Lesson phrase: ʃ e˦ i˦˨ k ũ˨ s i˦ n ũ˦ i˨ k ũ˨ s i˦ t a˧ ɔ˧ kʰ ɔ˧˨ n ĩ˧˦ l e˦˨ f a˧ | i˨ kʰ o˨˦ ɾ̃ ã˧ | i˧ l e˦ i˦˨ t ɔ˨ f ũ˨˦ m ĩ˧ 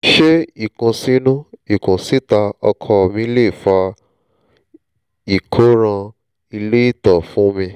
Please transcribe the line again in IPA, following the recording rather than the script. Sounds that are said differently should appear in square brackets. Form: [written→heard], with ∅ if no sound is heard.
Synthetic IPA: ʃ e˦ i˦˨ k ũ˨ s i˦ n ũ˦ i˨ k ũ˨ s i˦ t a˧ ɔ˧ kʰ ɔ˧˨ [n→m] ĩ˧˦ l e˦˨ f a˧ | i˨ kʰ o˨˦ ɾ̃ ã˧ | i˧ l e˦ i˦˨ t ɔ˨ f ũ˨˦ m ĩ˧